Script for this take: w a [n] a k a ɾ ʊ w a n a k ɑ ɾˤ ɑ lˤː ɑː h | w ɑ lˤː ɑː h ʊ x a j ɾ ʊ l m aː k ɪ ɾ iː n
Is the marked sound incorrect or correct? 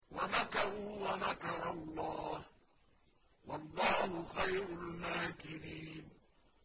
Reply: correct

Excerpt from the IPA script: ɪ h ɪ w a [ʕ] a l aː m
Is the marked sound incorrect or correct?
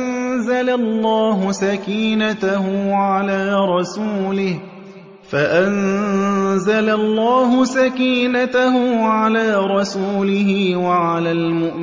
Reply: correct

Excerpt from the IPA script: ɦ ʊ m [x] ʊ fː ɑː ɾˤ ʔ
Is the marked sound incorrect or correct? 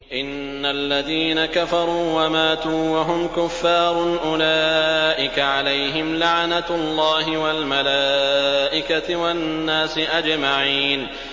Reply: incorrect: k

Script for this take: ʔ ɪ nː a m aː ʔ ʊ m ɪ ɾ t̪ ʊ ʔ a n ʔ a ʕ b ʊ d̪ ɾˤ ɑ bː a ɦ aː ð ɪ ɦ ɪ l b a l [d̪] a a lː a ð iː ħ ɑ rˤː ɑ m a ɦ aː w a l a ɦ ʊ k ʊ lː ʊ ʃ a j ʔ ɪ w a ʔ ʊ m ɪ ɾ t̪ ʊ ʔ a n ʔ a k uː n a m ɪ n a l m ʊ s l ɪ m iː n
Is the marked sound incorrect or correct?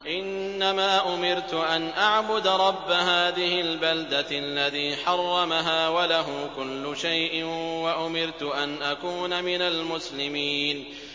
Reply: correct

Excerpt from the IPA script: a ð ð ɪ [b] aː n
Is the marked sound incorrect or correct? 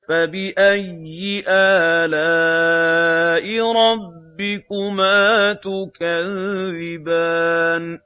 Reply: correct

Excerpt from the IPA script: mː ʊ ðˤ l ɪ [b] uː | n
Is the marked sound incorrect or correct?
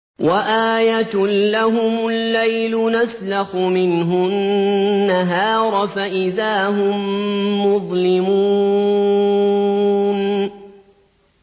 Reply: incorrect: m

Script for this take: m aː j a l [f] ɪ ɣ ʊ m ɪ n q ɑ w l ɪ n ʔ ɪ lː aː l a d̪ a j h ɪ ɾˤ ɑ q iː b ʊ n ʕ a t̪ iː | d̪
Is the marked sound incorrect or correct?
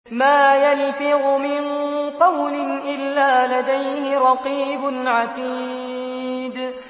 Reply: correct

